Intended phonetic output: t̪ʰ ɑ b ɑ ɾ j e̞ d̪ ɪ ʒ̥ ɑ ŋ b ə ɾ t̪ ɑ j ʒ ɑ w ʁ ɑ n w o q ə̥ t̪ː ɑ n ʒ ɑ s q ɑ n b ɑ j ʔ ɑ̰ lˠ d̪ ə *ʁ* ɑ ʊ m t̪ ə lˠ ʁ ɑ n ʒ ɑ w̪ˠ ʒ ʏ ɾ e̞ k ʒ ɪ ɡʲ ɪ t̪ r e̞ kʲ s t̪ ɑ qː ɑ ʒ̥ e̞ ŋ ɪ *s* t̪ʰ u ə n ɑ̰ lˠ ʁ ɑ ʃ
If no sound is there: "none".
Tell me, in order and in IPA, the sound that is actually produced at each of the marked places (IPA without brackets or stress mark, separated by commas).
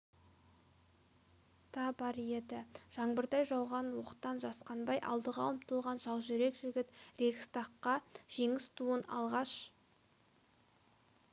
ʁ, s